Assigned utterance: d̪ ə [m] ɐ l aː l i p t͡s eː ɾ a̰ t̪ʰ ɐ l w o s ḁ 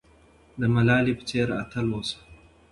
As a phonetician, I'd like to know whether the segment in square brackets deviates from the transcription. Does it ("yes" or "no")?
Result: no